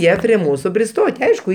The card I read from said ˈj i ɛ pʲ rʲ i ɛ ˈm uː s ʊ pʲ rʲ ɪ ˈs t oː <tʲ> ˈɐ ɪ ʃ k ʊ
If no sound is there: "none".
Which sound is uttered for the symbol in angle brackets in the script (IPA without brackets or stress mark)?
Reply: tʲ